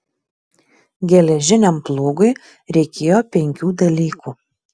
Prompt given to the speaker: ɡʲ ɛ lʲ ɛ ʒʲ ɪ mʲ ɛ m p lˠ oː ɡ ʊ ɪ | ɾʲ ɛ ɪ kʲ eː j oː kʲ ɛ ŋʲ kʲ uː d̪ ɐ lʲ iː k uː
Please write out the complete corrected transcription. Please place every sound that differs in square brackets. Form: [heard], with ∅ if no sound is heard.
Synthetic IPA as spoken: ɡʲ ɛ lʲ ɛ ʒʲ ɪ [nʲ] ɛ m p lˠ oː ɡ ʊ ɪ | ɾʲ ɛ ɪ kʲ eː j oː [pʲ] ɛ ŋʲ kʲ uː d̪ ɐ lʲ iː k uː